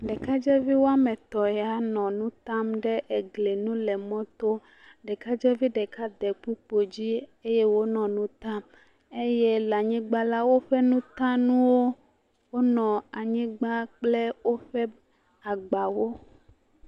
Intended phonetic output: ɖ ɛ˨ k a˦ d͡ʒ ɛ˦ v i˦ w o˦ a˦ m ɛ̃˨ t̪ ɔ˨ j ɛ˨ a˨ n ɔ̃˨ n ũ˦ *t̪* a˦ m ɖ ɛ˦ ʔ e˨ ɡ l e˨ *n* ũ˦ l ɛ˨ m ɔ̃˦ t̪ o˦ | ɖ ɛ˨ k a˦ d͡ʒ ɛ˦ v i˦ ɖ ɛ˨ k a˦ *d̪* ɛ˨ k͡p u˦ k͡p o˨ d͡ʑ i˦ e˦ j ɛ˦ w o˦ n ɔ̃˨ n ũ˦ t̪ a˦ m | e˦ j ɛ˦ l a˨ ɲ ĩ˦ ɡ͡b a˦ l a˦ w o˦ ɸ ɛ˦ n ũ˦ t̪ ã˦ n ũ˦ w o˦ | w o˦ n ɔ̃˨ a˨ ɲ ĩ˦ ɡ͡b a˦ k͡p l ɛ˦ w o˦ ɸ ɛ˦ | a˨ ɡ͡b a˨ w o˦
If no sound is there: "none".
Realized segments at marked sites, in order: t̪, n, d̪

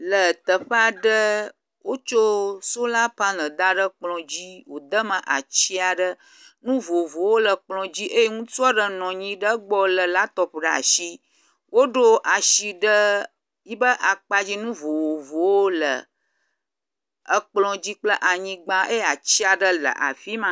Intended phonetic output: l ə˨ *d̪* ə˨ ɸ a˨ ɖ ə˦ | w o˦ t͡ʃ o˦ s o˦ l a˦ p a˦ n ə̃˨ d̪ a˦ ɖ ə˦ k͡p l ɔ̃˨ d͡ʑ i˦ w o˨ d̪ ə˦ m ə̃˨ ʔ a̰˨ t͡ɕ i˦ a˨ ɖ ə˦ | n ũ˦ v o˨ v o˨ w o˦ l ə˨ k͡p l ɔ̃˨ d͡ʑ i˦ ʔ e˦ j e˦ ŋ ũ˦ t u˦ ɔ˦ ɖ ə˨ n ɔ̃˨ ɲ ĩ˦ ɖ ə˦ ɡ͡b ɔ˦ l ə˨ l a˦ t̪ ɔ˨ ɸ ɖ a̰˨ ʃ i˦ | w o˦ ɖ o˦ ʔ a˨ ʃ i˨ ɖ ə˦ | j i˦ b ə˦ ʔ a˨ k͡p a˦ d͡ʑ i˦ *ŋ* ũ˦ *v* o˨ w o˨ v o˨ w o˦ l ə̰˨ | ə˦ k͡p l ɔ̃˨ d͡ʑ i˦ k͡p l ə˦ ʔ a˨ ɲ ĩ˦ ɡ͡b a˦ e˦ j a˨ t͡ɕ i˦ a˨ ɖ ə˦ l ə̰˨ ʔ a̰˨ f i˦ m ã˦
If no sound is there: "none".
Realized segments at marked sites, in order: t̪, n, v

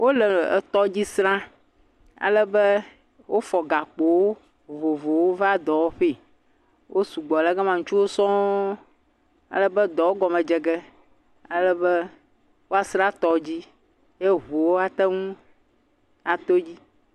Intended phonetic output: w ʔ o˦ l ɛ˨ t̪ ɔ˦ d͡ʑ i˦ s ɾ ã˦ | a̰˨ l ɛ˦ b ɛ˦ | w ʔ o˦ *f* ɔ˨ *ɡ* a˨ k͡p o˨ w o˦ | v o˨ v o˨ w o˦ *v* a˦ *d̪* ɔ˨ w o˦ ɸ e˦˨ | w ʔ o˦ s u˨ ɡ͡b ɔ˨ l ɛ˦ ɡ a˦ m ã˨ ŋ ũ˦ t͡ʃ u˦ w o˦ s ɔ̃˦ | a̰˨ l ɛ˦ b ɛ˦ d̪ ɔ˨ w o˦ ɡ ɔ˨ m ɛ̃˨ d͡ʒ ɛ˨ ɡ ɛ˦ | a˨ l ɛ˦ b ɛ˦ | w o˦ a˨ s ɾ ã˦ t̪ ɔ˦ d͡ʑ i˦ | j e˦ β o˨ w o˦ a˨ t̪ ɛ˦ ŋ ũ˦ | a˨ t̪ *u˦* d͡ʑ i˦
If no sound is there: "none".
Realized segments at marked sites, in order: f, ɡ, v, d̪, o˦

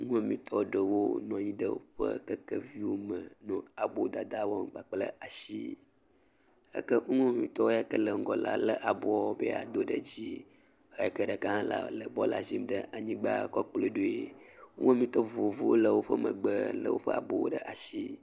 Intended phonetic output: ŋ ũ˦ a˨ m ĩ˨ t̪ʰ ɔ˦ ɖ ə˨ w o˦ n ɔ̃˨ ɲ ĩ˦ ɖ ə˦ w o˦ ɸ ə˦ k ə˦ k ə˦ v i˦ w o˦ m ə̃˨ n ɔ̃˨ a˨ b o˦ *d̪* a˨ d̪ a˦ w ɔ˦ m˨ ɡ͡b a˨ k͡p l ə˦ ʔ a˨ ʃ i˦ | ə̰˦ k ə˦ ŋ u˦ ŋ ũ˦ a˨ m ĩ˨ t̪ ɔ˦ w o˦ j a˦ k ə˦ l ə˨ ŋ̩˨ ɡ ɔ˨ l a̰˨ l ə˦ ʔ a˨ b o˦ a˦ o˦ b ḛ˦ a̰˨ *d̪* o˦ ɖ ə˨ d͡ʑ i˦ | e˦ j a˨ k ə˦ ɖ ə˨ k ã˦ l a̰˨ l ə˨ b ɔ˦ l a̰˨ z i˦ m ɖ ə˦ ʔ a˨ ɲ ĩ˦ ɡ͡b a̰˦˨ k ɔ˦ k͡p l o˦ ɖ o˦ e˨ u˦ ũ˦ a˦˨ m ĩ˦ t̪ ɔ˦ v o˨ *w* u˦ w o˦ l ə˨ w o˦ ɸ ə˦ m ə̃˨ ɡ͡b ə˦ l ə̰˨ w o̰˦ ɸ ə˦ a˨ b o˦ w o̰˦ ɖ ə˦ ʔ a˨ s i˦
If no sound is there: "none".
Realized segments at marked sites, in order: d̪, d̪, v

